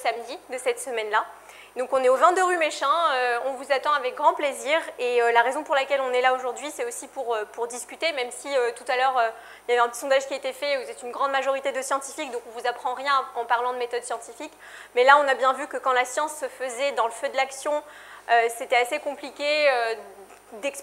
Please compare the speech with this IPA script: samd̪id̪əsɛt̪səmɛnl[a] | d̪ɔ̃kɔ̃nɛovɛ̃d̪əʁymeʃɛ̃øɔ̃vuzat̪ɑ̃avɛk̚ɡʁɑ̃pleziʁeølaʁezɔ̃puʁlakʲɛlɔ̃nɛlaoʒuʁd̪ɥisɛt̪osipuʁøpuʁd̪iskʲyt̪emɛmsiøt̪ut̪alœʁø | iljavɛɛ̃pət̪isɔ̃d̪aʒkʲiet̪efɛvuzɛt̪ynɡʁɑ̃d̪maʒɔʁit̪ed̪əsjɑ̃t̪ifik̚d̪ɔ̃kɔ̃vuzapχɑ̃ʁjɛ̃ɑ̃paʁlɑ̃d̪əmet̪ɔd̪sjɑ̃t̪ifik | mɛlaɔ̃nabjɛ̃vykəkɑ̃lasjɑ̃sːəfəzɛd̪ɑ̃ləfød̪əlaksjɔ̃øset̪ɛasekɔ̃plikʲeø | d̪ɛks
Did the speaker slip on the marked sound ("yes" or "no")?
no